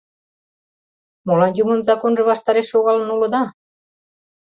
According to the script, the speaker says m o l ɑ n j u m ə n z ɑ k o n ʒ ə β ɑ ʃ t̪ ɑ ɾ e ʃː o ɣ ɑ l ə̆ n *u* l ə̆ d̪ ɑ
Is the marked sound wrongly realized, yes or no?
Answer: no